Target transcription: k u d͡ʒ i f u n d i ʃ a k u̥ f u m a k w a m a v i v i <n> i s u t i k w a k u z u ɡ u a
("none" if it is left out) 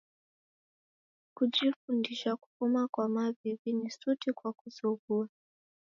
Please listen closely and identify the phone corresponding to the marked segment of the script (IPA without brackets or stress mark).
n